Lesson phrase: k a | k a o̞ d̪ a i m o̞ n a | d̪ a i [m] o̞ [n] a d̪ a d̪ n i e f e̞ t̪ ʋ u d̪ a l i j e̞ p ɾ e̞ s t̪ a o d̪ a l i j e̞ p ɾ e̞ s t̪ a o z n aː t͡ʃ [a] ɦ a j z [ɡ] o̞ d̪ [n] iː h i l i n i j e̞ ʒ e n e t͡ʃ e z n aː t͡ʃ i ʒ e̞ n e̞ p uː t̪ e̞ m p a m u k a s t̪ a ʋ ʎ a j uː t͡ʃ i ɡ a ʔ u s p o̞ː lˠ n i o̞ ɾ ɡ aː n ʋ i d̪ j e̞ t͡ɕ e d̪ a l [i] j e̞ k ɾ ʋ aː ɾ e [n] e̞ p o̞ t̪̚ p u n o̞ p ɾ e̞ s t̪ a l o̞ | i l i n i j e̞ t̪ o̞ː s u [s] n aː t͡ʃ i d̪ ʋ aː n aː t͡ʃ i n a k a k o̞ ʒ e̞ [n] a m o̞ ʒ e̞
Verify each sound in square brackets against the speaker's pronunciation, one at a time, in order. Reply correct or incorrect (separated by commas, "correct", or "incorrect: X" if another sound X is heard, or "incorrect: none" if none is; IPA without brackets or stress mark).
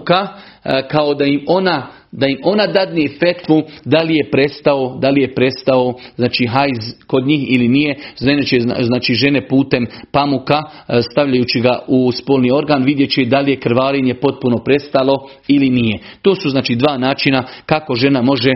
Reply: correct, correct, incorrect: i, incorrect: k, incorrect: ɲ, correct, incorrect: ɲ, incorrect: z, correct